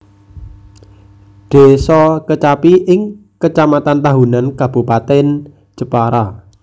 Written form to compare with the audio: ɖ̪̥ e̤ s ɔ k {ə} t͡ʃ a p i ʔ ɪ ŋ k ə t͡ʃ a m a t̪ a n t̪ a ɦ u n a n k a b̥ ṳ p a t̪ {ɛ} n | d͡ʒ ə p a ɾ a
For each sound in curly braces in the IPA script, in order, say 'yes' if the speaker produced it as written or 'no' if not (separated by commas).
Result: yes, yes